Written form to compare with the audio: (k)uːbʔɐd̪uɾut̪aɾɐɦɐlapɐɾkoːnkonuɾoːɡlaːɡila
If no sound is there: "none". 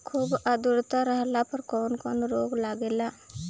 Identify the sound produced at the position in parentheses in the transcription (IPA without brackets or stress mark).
kʰ